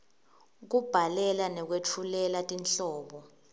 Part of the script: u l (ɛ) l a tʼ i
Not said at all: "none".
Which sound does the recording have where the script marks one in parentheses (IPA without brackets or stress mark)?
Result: ɛ